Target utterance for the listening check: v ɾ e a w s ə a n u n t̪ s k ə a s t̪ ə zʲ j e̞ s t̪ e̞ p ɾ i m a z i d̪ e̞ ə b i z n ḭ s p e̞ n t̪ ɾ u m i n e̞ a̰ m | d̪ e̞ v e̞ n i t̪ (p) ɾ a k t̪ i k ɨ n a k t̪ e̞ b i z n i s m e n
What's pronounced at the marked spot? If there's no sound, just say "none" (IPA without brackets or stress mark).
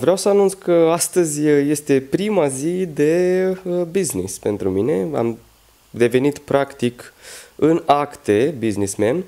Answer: p